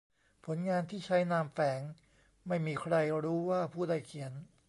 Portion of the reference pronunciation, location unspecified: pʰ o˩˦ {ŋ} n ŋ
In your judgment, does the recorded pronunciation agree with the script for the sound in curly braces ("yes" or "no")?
no